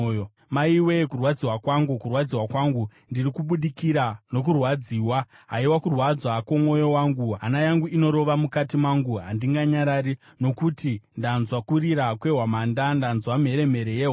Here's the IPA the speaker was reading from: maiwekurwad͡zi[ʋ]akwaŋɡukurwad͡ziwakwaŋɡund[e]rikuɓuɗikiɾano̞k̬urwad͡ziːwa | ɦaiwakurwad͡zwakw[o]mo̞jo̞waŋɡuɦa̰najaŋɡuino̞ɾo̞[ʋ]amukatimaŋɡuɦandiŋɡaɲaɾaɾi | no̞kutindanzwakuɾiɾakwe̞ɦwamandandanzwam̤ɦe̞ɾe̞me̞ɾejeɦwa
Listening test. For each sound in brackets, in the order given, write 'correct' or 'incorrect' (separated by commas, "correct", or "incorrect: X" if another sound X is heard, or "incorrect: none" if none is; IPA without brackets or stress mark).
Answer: incorrect: w, incorrect: i, correct, correct